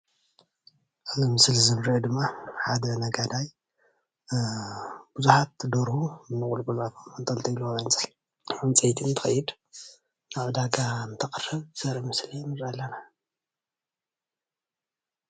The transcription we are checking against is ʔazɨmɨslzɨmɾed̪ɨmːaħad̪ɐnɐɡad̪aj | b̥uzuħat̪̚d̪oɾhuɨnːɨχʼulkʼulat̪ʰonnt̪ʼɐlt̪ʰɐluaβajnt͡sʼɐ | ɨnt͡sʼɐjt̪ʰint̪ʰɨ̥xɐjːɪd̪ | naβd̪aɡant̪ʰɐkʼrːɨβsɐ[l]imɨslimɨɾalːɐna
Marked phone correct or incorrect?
incorrect